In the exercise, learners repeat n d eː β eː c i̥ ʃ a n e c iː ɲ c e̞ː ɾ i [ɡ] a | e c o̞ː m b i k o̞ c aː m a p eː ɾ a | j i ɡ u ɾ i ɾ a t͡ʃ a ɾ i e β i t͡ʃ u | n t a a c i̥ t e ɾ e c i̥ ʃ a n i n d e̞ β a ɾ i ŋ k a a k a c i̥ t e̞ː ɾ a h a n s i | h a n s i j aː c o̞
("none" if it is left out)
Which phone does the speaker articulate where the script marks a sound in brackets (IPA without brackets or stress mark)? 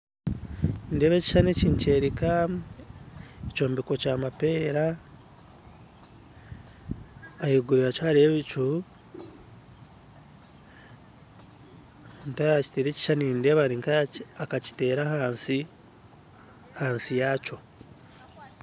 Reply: k